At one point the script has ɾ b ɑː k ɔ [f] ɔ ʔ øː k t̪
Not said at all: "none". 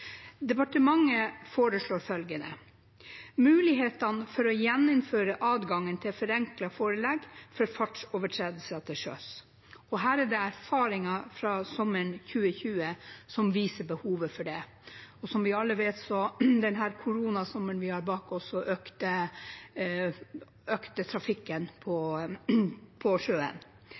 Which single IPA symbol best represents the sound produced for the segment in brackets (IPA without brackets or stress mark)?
s